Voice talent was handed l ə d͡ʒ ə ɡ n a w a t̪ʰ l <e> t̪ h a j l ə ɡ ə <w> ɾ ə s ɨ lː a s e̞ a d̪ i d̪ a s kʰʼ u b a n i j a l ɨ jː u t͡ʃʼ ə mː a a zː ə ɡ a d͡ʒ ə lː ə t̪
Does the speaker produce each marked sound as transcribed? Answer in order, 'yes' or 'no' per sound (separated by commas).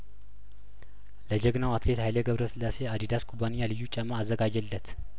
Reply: yes, no